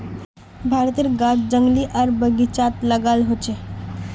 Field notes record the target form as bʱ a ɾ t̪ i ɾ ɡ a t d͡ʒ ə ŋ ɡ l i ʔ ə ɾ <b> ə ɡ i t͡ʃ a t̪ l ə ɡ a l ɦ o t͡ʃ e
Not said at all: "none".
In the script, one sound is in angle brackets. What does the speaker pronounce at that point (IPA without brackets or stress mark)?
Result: b